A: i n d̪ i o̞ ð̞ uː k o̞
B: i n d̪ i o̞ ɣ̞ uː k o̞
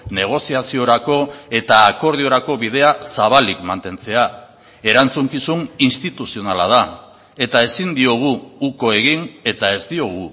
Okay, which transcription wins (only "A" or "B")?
B